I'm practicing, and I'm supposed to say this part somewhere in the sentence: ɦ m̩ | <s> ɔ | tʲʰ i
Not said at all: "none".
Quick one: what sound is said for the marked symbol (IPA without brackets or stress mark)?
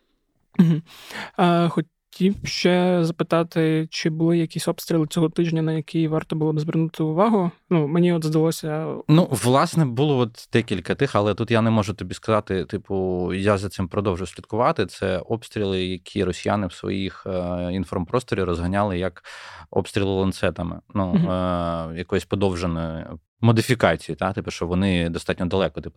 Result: x